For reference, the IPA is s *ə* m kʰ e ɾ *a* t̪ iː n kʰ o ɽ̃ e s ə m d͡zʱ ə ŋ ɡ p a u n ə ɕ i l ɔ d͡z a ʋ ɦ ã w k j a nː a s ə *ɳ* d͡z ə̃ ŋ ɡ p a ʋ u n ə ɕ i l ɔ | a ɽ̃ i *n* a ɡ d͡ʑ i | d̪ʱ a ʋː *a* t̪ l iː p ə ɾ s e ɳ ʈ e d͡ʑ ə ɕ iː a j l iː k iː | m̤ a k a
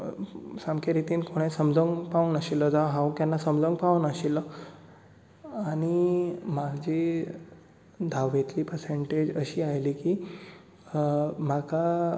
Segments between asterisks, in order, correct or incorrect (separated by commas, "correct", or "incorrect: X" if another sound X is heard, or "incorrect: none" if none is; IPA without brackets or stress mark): incorrect: a, incorrect: i, incorrect: m, incorrect: m, incorrect: e